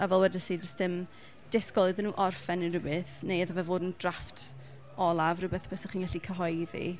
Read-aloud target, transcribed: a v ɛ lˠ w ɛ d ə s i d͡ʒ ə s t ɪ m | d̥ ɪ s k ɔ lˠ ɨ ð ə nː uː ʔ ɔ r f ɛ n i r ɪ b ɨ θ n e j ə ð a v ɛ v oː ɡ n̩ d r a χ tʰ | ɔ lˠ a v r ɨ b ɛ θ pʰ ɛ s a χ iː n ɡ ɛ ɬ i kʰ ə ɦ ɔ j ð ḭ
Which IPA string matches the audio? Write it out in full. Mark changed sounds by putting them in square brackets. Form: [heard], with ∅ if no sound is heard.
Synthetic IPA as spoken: a v ɛ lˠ w ɛ d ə s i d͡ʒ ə s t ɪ m | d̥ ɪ s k ɔ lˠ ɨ ð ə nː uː ʔ ɔ r f ɛ n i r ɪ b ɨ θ n e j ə ð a v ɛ v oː [d] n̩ d r a [f] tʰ | ɔ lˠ a v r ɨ b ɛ θ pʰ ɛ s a χ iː n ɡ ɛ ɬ i kʰ ə ɦ ɔ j ð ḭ